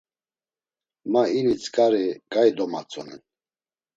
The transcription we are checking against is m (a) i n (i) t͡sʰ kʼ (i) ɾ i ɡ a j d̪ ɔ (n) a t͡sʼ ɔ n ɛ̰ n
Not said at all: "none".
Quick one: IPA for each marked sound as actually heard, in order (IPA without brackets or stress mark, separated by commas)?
a, i, a, m